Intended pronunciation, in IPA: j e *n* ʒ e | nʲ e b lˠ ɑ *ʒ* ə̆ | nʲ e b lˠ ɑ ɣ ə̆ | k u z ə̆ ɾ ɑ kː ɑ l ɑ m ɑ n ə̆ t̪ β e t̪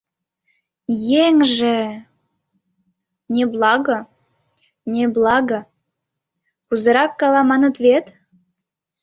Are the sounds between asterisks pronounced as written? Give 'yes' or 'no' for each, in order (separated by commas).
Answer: no, no